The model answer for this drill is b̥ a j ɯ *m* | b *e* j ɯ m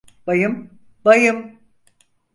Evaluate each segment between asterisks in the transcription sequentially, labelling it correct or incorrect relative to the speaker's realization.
correct, incorrect

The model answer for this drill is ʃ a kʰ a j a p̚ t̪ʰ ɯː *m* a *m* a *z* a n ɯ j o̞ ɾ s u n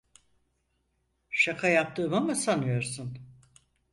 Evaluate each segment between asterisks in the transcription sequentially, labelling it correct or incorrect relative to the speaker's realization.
correct, correct, incorrect

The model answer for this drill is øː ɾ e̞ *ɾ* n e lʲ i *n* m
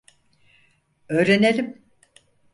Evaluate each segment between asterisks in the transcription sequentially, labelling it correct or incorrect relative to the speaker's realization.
incorrect, incorrect

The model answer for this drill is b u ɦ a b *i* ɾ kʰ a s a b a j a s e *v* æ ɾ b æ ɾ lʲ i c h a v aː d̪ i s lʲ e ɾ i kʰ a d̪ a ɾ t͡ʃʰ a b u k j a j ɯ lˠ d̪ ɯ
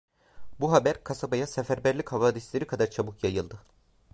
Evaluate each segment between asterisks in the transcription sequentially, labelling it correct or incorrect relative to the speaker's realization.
incorrect, incorrect

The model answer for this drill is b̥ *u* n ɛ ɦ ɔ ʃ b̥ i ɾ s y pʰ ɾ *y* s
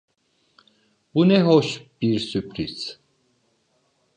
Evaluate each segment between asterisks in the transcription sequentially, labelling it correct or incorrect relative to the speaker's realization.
correct, incorrect

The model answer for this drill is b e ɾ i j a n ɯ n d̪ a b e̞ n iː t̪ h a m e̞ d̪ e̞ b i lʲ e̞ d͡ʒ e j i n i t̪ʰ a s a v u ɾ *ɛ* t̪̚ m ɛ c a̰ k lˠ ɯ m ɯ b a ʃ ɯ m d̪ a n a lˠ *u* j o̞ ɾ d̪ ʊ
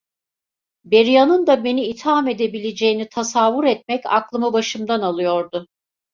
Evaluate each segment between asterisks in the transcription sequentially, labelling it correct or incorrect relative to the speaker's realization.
correct, incorrect

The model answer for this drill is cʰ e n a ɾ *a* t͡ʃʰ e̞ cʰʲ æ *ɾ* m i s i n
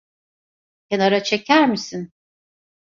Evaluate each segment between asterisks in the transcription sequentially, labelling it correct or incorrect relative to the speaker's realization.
correct, correct

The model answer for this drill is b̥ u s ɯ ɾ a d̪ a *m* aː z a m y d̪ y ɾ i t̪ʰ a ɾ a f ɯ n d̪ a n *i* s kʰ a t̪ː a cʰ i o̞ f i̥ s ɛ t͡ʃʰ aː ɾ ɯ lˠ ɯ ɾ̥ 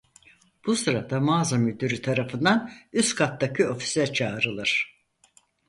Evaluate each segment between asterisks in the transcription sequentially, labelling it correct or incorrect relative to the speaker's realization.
correct, incorrect

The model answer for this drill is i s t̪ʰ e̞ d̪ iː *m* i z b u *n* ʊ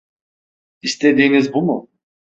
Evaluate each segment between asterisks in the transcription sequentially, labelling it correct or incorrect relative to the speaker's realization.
incorrect, incorrect

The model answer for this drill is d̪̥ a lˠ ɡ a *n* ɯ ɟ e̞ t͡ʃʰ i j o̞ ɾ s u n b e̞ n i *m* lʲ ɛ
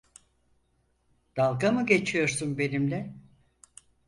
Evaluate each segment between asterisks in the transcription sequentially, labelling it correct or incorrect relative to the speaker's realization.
incorrect, correct

